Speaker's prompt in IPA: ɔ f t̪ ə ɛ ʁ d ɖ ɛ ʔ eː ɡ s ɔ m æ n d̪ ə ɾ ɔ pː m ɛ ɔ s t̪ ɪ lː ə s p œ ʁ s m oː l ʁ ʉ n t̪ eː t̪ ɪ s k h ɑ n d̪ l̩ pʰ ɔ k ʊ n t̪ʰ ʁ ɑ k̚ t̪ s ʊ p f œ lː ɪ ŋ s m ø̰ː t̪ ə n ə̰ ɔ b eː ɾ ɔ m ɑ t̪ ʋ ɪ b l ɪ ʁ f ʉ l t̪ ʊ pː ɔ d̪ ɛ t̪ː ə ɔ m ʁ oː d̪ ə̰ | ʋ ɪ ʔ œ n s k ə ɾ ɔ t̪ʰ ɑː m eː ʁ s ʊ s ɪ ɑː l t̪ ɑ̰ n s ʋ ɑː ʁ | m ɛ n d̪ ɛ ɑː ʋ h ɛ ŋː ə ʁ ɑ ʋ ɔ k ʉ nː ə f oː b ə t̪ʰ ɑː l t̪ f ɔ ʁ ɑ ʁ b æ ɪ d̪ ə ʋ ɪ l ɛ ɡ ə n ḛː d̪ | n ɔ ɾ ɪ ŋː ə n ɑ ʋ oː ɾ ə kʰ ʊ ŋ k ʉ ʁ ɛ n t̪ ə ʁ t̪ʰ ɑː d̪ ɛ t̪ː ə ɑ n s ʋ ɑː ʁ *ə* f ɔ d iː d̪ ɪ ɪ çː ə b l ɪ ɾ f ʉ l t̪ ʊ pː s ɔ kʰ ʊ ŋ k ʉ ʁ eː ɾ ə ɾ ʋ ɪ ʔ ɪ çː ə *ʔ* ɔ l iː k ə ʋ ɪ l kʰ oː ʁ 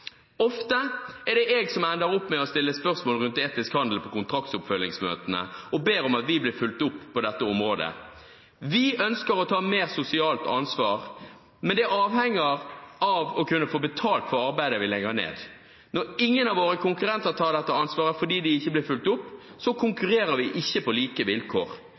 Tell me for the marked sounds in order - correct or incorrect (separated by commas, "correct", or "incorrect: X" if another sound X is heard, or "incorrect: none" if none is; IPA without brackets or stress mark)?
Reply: correct, incorrect: p